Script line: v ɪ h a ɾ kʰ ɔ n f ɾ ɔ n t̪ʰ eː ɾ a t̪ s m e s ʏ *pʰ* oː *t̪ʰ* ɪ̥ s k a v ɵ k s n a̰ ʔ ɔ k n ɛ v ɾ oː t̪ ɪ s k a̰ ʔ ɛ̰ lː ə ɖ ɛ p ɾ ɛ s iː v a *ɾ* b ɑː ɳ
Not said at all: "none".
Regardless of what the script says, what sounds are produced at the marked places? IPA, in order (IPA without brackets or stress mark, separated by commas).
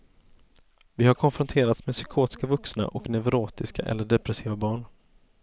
kʰ, t̪, none